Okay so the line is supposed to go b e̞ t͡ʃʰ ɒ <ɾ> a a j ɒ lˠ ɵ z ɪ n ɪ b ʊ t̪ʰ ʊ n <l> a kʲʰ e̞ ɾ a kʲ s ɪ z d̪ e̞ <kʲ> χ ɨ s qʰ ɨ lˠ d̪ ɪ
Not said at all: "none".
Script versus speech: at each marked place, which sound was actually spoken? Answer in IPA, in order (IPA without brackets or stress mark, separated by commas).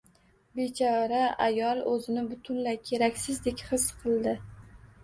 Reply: ɾ, l, kʲ